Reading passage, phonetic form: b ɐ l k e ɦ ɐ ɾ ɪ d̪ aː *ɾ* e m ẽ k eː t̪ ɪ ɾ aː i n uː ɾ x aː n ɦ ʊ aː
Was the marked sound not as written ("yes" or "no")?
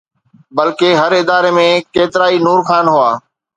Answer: no